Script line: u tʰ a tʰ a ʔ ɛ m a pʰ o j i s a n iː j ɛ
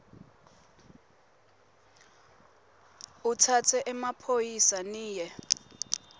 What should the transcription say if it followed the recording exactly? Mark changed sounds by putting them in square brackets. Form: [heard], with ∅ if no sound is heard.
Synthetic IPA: u tʰ a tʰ [ɛ] ʔ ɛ m a pʰ o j i s a n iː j ɛ